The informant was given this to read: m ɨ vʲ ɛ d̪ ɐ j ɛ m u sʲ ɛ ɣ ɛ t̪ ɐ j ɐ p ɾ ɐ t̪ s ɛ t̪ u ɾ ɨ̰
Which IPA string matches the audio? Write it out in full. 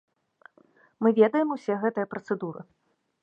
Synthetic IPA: m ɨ vʲ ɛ d̪ ɐ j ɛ m u sʲ ɛ ɣ ɛ t̪ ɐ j ɐ p ɾ ɐ t̪ s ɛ d̪ u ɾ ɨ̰